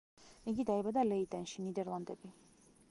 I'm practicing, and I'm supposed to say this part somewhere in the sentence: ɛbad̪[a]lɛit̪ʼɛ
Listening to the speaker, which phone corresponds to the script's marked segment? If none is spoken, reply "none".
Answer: a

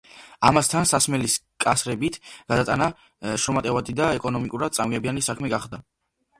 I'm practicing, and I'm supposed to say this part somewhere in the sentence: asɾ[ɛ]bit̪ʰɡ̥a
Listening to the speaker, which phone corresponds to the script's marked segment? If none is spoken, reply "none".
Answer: ɛ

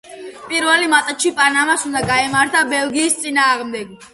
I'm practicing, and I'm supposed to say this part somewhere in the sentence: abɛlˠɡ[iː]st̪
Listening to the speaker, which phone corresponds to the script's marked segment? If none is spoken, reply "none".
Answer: iː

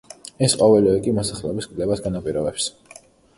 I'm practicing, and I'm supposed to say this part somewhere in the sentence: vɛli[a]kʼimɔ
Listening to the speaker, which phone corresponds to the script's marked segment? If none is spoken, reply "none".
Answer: ɛ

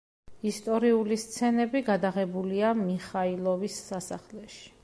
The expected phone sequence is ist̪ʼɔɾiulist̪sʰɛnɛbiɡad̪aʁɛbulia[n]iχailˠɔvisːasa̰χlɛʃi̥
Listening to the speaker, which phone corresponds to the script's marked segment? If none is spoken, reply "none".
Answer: m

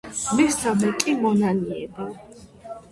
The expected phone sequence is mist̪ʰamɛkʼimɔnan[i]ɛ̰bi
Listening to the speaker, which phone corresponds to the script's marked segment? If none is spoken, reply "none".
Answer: i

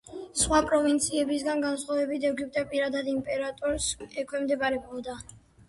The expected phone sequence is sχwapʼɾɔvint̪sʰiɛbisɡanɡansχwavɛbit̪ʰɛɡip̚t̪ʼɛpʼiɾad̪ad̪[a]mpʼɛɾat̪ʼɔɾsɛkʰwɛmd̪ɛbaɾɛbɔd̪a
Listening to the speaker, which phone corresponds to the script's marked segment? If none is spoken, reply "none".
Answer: i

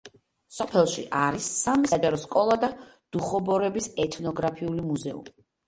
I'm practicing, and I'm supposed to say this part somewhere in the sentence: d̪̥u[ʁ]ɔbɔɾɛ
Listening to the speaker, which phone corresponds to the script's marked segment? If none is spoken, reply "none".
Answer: χ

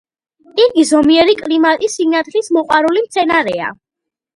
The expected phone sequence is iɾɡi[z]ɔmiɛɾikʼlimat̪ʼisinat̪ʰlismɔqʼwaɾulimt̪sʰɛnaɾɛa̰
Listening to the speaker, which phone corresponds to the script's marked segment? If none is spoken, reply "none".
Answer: z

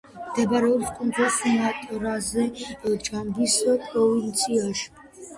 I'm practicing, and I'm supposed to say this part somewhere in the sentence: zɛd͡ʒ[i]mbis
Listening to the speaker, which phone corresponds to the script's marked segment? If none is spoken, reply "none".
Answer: a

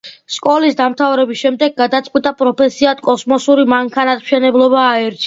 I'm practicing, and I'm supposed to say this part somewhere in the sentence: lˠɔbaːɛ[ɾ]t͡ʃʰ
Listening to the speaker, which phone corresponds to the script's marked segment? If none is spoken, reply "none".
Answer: ɾ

